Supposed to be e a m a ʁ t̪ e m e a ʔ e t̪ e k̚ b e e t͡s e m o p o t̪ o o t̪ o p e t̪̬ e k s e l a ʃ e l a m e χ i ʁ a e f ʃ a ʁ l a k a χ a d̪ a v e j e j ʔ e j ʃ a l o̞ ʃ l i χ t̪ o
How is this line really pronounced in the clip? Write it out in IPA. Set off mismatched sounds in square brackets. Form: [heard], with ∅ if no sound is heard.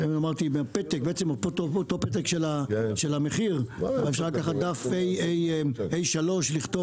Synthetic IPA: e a m a ʁ t̪ [i] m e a [p] e t̪ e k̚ b e e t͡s e m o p o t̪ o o t̪ o p e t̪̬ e k [ʃ] e l a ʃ e l a m e χ i ʁ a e f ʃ a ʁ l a k a χ a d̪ a [f] e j e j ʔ e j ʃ a l o̞ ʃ l i χ t̪ o